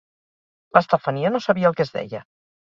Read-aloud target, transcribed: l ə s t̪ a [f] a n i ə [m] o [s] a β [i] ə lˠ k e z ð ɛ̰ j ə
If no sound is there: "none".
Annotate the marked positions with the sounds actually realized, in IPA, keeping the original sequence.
f, n, s, i

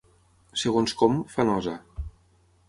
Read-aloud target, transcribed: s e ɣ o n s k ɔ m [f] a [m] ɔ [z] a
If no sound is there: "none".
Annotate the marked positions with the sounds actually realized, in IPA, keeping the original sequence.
f, n, z

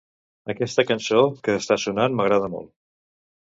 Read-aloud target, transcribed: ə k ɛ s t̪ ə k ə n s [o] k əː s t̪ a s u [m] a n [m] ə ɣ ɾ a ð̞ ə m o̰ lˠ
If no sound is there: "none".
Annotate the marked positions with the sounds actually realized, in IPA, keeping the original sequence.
o, n, m

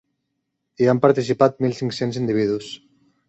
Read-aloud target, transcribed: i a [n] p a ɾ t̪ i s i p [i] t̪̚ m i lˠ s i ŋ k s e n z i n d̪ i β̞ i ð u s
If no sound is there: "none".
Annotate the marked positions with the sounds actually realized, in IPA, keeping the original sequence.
m, a

